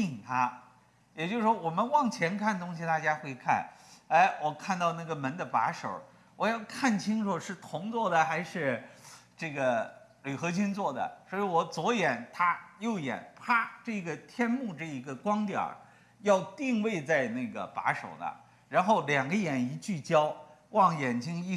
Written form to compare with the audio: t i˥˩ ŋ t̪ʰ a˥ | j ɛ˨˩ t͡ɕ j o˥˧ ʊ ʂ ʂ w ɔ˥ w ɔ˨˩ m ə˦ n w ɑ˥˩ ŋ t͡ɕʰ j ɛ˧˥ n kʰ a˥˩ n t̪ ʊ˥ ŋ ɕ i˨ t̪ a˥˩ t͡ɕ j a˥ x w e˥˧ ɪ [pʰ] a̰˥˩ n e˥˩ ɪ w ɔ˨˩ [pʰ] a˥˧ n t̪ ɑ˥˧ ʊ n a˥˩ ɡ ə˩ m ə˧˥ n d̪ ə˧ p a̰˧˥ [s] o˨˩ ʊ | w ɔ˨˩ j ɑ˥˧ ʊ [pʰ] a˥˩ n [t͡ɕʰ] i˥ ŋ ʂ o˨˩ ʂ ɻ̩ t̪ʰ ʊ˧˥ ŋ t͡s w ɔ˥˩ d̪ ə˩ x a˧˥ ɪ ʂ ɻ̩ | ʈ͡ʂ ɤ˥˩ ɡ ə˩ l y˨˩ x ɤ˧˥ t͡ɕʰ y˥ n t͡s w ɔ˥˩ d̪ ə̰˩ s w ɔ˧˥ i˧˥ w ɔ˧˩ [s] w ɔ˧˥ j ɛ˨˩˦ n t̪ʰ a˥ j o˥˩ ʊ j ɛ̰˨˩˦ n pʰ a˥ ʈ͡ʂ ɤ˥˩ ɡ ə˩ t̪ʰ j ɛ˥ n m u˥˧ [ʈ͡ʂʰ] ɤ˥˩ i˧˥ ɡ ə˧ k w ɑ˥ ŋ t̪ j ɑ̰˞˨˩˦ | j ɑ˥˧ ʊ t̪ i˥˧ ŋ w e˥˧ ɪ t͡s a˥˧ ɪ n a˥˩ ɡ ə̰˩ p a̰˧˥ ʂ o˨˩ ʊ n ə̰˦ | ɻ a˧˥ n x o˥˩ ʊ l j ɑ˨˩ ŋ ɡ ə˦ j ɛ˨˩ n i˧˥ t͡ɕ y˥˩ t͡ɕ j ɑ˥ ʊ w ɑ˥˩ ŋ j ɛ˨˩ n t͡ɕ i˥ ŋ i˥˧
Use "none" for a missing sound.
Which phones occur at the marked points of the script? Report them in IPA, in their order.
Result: kʰ, kʰ, ʂ, kʰ, t͡ɕʰ, t͡s, ʈ͡ʂ

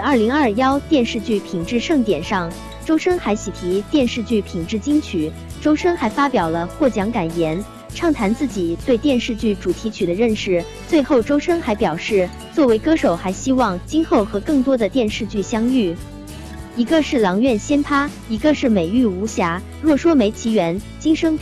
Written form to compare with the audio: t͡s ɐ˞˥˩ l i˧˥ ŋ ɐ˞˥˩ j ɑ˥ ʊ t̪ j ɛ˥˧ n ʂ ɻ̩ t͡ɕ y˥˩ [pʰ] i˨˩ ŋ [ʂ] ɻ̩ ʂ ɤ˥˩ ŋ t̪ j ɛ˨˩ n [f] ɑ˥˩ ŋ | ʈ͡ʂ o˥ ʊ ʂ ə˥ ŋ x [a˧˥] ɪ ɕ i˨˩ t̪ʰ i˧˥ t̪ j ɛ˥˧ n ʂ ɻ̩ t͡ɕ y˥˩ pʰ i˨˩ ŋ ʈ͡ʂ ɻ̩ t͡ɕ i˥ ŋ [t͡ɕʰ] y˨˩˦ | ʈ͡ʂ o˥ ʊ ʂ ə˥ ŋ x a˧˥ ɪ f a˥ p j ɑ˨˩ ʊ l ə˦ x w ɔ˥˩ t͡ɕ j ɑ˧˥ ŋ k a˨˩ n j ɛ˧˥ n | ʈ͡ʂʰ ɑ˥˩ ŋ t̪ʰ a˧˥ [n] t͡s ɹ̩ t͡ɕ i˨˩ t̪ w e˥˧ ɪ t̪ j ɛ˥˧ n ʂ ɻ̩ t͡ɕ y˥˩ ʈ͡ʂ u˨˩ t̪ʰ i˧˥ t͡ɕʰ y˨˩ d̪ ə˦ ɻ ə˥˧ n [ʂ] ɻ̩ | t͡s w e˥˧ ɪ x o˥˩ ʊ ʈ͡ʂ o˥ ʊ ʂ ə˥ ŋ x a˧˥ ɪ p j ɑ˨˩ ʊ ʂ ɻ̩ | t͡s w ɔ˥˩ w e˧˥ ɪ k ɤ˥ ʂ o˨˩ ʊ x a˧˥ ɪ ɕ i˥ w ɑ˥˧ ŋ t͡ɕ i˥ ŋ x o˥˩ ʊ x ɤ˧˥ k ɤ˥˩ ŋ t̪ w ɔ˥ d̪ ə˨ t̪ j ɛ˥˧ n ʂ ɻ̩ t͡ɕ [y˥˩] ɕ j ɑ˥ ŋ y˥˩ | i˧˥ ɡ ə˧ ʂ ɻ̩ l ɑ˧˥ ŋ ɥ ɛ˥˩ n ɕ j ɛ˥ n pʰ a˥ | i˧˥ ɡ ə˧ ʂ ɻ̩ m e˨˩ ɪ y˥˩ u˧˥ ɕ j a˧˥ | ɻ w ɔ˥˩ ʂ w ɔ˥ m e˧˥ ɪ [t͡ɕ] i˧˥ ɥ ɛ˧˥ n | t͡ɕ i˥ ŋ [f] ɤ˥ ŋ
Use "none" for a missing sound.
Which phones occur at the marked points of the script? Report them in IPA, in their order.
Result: pʰ, ʈ͡ʂ, ʂ, a˧˥, t͡ɕʰ, n, ʂ, y˥˩, t͡ɕʰ, ʂ

